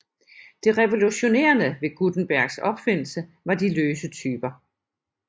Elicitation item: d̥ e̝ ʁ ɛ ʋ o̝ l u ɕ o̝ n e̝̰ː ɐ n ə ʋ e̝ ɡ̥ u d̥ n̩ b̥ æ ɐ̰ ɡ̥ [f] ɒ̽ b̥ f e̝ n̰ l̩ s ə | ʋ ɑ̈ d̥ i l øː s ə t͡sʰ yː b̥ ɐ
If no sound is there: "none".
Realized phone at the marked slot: s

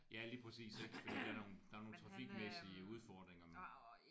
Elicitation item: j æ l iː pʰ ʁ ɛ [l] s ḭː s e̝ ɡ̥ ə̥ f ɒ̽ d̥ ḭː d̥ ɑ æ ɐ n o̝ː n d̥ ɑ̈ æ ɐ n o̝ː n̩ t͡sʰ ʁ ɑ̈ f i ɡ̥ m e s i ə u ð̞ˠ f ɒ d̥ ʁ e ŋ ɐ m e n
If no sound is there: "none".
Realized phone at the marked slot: none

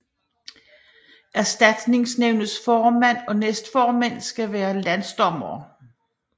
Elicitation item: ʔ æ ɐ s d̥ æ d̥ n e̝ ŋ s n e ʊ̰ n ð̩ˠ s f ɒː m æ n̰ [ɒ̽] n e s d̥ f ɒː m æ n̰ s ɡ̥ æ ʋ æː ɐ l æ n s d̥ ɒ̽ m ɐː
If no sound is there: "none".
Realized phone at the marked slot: ɒ̽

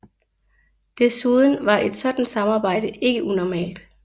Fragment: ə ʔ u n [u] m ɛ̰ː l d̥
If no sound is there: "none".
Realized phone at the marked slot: ɒ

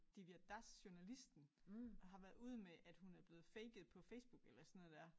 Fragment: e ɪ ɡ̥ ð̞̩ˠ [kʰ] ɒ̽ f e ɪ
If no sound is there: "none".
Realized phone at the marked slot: pʰ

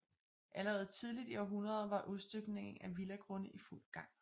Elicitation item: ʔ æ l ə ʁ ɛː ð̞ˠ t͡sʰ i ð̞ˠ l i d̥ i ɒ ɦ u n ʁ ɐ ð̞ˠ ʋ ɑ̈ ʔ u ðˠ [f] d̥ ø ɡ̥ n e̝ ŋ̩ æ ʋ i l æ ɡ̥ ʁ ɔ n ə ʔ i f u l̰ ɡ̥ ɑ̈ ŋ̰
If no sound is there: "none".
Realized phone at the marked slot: s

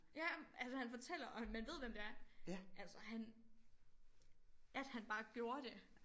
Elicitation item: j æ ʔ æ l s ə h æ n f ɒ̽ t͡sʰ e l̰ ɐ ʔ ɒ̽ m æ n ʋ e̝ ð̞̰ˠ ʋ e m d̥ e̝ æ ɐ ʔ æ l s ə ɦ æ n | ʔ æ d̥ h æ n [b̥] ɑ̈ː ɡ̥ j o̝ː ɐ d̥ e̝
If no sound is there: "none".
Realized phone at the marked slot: b̥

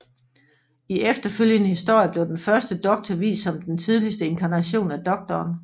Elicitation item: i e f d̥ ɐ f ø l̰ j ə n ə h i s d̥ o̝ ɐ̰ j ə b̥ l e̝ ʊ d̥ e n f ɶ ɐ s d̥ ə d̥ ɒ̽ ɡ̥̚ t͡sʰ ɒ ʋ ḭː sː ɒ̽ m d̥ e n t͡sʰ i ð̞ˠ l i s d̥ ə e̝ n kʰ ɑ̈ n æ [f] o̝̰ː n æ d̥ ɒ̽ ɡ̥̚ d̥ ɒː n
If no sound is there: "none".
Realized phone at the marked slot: ɕ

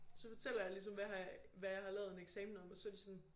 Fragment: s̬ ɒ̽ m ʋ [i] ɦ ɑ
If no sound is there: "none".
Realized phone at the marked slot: æ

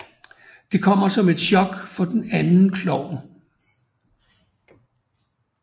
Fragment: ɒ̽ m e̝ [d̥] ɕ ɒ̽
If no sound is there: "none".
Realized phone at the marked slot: d̥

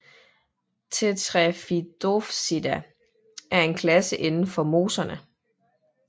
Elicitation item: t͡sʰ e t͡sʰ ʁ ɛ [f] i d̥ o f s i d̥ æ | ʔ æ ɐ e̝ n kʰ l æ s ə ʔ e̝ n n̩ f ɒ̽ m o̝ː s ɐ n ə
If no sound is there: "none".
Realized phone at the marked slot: f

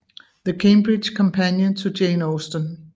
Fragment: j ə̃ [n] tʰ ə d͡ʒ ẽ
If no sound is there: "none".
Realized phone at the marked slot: n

